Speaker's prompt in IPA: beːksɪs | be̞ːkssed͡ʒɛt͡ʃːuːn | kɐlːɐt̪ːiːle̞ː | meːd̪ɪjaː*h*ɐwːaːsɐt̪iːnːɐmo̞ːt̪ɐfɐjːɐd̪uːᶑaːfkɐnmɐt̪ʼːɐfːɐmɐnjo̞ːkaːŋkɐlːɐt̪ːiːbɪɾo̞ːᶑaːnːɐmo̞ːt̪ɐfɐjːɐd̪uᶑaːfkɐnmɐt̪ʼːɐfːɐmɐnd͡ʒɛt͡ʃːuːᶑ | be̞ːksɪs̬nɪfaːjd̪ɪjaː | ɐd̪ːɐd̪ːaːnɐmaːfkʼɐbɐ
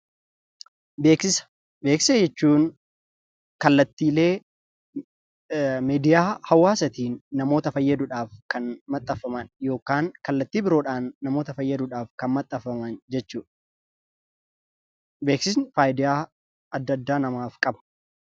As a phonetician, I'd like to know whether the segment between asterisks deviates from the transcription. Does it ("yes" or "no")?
no